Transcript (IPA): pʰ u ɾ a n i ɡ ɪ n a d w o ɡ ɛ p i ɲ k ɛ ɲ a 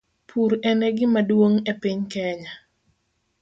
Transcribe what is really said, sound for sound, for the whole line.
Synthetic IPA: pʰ u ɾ ɛ n ɛ ɡ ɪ m a d w o ŋ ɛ p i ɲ k ɛ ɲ a